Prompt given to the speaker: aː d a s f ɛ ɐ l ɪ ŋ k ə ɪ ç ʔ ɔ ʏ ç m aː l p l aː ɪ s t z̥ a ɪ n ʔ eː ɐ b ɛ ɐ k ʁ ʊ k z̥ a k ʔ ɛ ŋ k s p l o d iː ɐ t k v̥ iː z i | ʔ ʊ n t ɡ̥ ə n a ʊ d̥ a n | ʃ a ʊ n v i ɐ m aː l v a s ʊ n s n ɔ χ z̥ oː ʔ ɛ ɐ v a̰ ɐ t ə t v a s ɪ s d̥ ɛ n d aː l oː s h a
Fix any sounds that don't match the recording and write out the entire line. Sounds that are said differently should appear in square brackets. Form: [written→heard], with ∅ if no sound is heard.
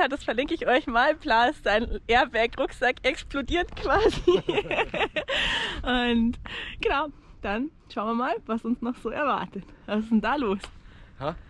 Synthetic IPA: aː d a s f ɛ ɐ l ɪ ŋ k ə ɪ ç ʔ ɔ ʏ ç m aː l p l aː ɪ s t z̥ a ɪ n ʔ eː ɐ b ɛ ɐ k ʁ ʊ k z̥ a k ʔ ɛ [ŋ→∅] k s p l o d iː ɐ t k v̥ [iː→aː] z i | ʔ ʊ n t ɡ̥ ə n a ʊ d̥ a n | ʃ a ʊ n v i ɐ m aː l v a s ʊ n s n ɔ χ z̥ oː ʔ ɛ ɐ v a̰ ɐ t ə t v a s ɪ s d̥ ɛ n d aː l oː s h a